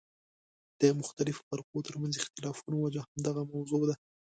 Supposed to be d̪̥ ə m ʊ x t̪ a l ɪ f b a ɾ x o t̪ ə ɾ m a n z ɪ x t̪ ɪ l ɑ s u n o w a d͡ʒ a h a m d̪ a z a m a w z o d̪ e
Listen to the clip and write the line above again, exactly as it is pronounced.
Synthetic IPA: d̪̥ ə m ʊ x t̪ a l ɪ f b a ɾ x o t̪ ə ɾ m a n z ɪ x t̪ ɪ l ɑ f u n o w a d͡ʒ a h a m d̪ a ɣ a m a w z o d̪ a